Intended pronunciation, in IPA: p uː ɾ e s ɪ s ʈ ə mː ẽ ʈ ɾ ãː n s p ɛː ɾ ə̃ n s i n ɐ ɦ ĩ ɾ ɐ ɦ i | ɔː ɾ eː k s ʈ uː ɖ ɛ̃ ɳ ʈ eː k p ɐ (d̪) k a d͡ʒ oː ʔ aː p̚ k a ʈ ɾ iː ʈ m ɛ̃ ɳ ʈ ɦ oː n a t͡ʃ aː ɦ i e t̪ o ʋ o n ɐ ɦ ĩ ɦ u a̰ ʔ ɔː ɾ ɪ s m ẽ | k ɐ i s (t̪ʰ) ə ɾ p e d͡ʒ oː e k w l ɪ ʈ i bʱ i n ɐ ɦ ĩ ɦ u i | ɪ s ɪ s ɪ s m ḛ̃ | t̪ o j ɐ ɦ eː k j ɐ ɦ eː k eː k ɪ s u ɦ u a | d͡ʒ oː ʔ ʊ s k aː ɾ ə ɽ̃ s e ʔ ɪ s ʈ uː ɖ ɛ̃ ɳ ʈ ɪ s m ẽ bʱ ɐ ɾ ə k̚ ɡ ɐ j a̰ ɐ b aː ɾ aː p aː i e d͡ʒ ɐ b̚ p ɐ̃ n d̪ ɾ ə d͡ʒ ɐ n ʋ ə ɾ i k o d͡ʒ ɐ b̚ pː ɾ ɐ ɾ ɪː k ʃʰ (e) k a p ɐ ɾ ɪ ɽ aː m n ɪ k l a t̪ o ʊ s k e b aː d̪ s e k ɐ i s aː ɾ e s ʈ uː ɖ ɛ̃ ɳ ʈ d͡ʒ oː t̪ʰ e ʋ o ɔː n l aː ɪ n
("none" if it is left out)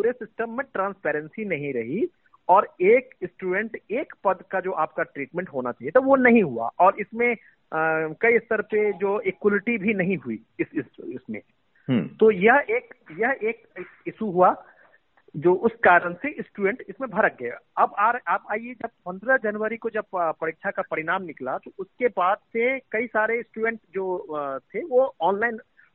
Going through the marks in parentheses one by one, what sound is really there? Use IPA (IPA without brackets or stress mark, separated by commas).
d̪, t̪, a